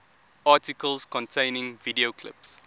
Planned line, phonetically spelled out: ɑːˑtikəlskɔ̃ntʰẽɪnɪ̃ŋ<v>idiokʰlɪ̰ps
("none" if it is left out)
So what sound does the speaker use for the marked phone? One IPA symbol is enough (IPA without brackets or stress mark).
v